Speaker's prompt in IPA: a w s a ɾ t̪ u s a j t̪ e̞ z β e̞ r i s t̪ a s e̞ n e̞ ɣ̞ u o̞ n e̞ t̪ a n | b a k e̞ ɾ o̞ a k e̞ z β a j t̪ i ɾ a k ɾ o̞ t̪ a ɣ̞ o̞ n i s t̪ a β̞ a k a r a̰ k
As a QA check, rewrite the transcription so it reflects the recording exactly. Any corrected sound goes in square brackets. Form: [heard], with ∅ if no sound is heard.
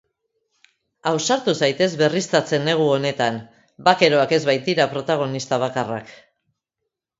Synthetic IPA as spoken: a w s a ɾ t̪ u s a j t̪ e̞ z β e̞ r i s t̪ a [t͡s] e̞ n e̞ ɣ̞ u o̞ n e̞ t̪ a n | b a k e̞ ɾ o̞ a k e̞ z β a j t̪ i ɾ a [p] ɾ o̞ t̪ a ɣ̞ o̞ n i s t̪ a β̞ a k a r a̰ k

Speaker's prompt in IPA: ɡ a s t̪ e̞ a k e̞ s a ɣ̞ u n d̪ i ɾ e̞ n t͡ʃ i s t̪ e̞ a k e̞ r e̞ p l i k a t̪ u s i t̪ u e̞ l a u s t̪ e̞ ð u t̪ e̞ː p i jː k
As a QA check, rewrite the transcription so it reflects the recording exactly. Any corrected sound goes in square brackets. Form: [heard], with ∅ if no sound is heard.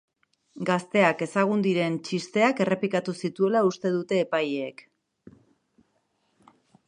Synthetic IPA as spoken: ɡ a s t̪ e̞ a k e̞ s a ɣ̞ u n d̪ i ɾ e̞ n t͡ʃ i s t̪ e̞ a k e̞ r e̞ p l i k a t̪ u s i t̪ u e̞ l a u s t̪ e̞ ð u t̪ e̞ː p [a] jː k

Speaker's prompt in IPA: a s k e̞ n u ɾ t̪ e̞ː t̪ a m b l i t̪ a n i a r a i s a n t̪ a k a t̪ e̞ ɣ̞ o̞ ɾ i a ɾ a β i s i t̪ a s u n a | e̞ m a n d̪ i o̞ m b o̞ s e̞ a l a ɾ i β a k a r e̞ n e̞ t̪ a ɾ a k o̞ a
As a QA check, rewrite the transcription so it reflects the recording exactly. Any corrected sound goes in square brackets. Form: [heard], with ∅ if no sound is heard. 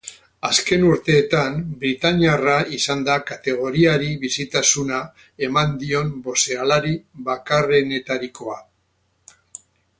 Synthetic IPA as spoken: a s k e̞ n u ɾ t̪ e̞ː t̪ a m b [ɾ] i t̪ a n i a r a i s a n [d̪] a k a t̪ e̞ ɣ̞ o̞ ɾ i a ɾ [i] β i s i t̪ a s u n a | e̞ m a n d̪ i o̞ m b o̞ s e̞ a l a ɾ i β a k a r e̞ n e̞ t̪ a ɾ [i] k o̞ a

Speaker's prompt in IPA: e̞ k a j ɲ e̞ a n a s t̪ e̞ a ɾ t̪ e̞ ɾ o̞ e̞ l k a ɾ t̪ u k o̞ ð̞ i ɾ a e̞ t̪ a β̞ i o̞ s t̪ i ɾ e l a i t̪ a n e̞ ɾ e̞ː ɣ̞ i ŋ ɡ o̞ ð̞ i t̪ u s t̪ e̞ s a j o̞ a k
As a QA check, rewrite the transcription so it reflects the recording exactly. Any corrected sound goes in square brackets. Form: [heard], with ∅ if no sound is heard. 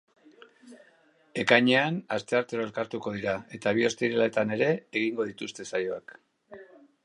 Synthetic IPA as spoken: e̞ k a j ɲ e̞ a n a s t̪ e̞ a ɾ t̪ e̞ ɾ o̞ e̞ l k a ɾ t̪ u k o̞ ð̞ i ɾ a e̞ t̪ a β̞ i o̞ s t̪ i ɾ e l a [e] t̪ a n e̞ ɾ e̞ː ɣ̞ i ŋ ɡ o̞ ð̞ i t̪ u s t̪ e̞ s a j o̞ a k

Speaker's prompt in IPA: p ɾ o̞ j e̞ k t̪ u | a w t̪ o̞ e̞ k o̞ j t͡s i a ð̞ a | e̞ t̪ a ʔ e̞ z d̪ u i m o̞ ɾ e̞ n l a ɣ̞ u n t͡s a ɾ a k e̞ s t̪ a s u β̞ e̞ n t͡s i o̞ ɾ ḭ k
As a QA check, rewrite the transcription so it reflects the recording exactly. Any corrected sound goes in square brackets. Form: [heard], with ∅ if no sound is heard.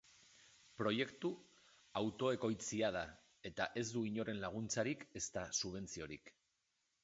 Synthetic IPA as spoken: p ɾ o̞ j e̞ k t̪ u | a w t̪ o̞ e̞ k o̞ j t͡s i a ð̞ a | e̞ t̪ a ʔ e̞ z d̪ u i [ɲ] o̞ ɾ e̞ n l a ɣ̞ u n t͡s a ɾ [i] k e̞ s t̪ a s u β̞ e̞ n t͡s i o̞ ɾ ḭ k

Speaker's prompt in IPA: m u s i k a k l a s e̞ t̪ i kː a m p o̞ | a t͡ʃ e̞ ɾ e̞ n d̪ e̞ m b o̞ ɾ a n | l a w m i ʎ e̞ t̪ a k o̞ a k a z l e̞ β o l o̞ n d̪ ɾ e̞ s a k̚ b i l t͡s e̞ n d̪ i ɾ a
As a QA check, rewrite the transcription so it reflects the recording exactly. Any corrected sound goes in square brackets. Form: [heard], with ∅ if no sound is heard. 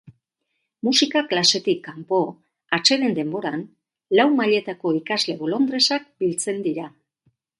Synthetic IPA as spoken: m u s i k a k l a s e̞ t̪ i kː a m p o̞ | a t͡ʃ e̞ ɾ e̞ n d̪ e̞ m b o̞ ɾ a n | l a w m [a] ʎ e̞ t̪ a k o̞ [i] k a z l e̞ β o l o̞ n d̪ ɾ e̞ s a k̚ b i l t͡s e̞ n d̪ i ɾ a

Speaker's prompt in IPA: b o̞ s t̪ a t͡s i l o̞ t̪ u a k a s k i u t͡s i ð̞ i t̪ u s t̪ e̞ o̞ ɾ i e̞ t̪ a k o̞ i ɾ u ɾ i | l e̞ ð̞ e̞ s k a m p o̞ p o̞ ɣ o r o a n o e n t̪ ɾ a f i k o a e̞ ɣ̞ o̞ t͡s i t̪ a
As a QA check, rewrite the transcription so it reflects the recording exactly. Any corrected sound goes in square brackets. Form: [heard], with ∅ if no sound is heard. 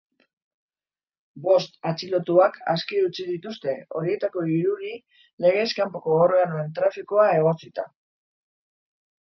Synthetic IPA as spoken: b o̞ s t̪ a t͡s i l o̞ t̪ u a k a s k i u t͡s i ð̞ i t̪ u s t̪ e̞ o̞ ɾ i e̞ t̪ a k o̞ i ɾ u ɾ i | l e̞ [ɣ̞] e̞ s k a m p o̞ [k] o̞ ɣ o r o a n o e n t̪ ɾ a f i k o a e̞ ɣ̞ o̞ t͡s i t̪ a

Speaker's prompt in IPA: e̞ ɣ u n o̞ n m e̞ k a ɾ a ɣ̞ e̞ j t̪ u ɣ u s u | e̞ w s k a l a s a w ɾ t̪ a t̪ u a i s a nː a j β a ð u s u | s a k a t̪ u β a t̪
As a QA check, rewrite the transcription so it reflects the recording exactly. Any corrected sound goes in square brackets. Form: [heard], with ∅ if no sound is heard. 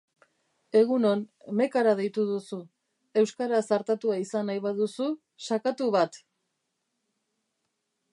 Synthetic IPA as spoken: e̞ ɣ u n o̞ n m e̞ k a ɾ a [ð̞] e̞ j t̪ u [ð] u s u | e̞ w s k a [ɾ] a s a [∅] ɾ t̪ a t̪ u a i s a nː a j β a ð u s u | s a k a t̪ u β a t̪

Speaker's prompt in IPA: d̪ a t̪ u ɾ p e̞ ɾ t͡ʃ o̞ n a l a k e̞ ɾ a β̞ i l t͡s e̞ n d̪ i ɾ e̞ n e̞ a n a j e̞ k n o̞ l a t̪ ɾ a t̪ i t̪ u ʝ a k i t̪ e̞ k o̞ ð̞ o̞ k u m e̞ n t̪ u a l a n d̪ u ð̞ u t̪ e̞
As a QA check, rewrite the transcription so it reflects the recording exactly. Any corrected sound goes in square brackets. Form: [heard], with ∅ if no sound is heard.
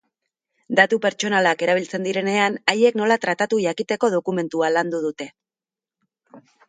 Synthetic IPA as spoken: d̪ a t̪ u [∅] p e̞ ɾ t͡ʃ o̞ n a l a k e̞ ɾ a β̞ i l t͡s e̞ n d̪ i ɾ e̞ n e̞ a n a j e̞ k n o̞ l a t̪ ɾ a t̪ [a] t̪ u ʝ a k i t̪ e̞ k o̞ ð̞ o̞ k u m e̞ n t̪ u a l a n d̪ u ð̞ u t̪ e̞

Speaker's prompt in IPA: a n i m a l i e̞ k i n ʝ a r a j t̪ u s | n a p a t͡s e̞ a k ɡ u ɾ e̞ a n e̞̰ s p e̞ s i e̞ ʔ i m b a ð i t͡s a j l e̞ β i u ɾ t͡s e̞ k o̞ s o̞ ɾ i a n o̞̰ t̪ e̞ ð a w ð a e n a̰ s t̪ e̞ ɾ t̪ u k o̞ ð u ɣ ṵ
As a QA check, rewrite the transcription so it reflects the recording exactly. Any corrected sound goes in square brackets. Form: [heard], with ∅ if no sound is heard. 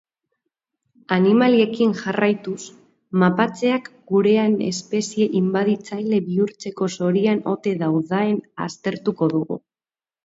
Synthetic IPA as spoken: a n i m a l i e̞ k i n ʝ a r a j t̪ u s | [m] a p a t͡s e̞ a k ɡ u ɾ e̞ a n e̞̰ s p e̞ s i e̞ ʔ i m b a ð i t͡s a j l e̞ β i u ɾ t͡s e̞ k o̞ s o̞ ɾ i a n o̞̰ t̪ e̞ ð a w ð a e n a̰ s t̪ e̞ ɾ t̪ u k o̞ ð u ɣ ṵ

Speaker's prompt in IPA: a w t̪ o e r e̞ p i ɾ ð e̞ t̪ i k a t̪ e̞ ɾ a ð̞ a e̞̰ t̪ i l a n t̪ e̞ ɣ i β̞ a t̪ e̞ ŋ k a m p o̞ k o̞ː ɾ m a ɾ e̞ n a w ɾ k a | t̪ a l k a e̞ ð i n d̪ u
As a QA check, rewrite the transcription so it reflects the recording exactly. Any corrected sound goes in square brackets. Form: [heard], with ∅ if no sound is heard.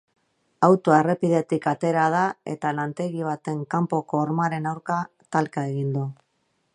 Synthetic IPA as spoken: a w t̪ o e r e̞ p i [∅] ð e̞ t̪ i k a t̪ e̞ ɾ a ð̞ a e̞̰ t̪ [a] l a n t̪ e̞ ɣ i β̞ a t̪ e̞ ŋ k a m p o̞ k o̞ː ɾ m a ɾ e̞ n a w ɾ k a | t̪ a l k a e̞ [ɣ] i n d̪ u

